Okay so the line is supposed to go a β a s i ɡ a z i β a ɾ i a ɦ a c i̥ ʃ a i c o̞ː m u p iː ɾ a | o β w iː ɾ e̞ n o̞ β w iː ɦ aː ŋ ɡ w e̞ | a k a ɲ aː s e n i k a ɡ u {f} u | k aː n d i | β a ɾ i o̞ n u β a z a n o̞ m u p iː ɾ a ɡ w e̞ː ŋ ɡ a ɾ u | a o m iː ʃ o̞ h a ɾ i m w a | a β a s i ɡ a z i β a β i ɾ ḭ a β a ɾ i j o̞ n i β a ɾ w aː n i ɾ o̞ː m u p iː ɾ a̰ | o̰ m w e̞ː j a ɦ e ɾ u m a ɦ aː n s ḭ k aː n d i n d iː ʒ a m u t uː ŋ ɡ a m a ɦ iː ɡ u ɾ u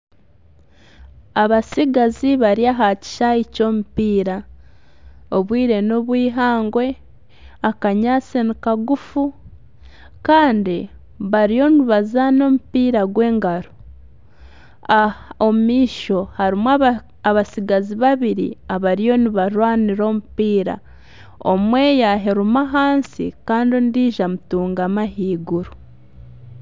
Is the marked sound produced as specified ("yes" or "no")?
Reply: yes